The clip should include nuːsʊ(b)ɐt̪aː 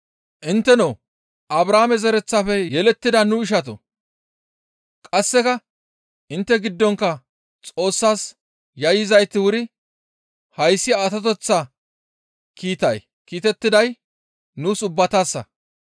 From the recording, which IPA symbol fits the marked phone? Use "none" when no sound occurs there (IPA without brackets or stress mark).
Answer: bː